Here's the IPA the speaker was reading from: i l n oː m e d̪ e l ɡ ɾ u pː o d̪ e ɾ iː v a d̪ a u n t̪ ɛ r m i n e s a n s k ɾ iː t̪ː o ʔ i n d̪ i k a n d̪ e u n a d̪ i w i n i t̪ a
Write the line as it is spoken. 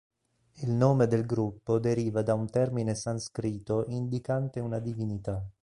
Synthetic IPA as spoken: i l n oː m e d̪ e l ɡ ɾ u pː o d̪ e ɾ iː v a d̪ a u n t̪ ɛ r m i n e s a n s k ɾ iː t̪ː o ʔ i n d̪ i k a n t̪ e u n a d̪ i v i n i t̪ a